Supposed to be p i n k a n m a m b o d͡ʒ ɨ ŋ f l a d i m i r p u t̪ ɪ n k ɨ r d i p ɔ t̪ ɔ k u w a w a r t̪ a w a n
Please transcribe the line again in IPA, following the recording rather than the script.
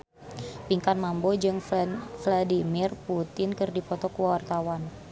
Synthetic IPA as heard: p i ŋ k a n m a m b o d͡ʒ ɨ ŋ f l a d i m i r p u t̪ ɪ n k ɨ r d i p ɔ t̪ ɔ k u w a w a r t̪ a w a n